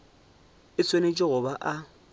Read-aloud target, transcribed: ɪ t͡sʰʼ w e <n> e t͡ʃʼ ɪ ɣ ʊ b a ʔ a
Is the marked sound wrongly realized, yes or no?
no